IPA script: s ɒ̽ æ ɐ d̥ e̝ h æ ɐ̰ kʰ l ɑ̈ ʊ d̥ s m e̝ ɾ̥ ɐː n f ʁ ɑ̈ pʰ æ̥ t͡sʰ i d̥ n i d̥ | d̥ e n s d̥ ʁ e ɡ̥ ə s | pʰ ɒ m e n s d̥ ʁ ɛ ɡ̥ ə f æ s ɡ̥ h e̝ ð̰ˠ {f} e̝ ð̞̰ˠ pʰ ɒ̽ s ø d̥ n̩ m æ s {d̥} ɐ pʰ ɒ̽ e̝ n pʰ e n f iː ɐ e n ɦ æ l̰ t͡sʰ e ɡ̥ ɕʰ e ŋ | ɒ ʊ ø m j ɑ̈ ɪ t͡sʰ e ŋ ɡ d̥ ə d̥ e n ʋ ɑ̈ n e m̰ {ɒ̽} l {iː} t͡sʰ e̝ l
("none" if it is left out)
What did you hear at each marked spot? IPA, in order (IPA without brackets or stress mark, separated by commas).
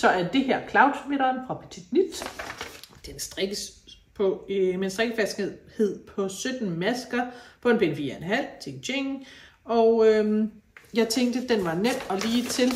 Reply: h, ɡ̥, ɒ̽, iː